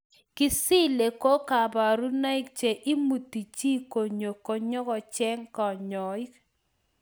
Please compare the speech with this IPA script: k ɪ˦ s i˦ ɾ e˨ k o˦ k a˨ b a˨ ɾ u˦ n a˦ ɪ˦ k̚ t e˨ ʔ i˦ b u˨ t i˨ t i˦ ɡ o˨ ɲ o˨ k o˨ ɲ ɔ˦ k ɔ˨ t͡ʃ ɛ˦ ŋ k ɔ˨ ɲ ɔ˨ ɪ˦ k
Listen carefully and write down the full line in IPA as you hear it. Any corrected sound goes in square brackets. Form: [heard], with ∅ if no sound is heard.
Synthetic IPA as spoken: k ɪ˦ s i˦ [l] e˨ k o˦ k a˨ b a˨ ɾ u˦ n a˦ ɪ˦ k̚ [t͡ʃ] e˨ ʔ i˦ [m] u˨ t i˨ [t͡ʃ] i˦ [k] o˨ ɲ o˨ k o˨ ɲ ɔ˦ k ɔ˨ t͡ʃ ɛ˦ ŋ k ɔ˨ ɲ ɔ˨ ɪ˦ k